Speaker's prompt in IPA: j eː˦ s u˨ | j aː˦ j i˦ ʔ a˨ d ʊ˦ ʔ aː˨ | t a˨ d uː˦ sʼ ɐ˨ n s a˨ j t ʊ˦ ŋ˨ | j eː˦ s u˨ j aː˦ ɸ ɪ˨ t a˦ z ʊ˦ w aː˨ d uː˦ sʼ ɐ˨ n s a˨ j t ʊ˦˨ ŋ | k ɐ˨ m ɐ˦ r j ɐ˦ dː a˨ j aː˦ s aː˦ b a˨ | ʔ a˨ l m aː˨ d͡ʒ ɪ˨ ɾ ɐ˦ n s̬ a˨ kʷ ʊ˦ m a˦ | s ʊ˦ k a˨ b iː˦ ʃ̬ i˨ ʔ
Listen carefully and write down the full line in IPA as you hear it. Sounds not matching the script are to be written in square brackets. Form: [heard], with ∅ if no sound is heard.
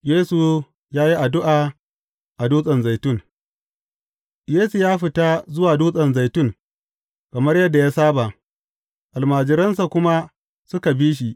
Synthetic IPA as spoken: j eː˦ s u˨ | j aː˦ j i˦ ʔ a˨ d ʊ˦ ʔ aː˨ | [ʔ] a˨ d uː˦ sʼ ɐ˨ n [z] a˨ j t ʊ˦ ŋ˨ | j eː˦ s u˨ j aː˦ ɸ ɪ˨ t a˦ z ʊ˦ w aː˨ d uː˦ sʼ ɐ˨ n [z] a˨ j t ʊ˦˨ ŋ | k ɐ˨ m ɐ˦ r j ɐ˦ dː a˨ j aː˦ s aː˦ b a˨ | ʔ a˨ l m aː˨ d͡ʒ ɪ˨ ɾ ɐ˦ n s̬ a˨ kʷ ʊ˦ m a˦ | s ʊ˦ k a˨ b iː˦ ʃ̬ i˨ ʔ

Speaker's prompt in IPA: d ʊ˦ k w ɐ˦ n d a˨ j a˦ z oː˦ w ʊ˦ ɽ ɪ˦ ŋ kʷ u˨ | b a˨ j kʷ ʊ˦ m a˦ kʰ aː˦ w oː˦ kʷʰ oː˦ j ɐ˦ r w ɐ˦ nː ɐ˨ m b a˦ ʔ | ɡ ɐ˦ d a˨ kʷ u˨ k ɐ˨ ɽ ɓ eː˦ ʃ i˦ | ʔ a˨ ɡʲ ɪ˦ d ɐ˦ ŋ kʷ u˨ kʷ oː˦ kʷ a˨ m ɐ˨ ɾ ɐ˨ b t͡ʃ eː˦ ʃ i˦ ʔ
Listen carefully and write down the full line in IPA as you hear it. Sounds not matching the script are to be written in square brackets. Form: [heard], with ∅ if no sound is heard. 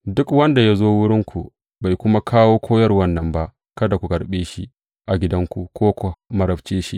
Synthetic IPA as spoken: d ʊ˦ k w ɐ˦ n d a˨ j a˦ z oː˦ w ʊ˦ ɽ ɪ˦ ŋ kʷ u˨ | b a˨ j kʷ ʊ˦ m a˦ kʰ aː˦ w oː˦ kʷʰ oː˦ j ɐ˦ r w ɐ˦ nː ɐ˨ m b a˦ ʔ | [k] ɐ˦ d a˨ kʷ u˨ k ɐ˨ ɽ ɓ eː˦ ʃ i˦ | ʔ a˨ ɡʲ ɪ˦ d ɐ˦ ŋ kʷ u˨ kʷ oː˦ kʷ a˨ m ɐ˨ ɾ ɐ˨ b t͡ʃ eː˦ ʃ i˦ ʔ

